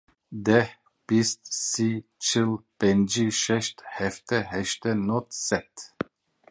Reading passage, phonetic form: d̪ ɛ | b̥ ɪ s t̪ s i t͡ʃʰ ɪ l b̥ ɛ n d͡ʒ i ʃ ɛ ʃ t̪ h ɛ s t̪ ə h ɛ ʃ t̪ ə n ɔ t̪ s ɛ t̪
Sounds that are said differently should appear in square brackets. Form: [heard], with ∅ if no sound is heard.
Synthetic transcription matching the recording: d̪ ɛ | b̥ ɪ s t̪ s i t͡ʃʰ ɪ l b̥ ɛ n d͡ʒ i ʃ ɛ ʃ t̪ h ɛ [f] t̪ ə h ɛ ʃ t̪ ə n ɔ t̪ s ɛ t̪